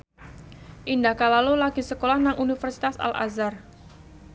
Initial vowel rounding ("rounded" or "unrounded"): unrounded